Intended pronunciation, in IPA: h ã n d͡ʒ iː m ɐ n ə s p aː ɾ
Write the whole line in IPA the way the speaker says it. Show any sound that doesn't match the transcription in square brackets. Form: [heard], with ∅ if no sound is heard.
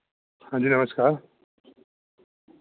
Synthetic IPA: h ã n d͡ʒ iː [n] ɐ [m] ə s [k] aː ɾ